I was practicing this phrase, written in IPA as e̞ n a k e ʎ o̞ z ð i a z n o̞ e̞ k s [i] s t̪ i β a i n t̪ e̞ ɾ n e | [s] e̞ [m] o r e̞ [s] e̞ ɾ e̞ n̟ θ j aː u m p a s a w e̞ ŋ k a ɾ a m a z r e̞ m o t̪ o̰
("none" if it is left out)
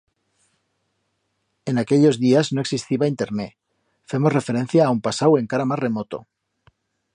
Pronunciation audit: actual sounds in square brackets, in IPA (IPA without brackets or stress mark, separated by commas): i, f, m, f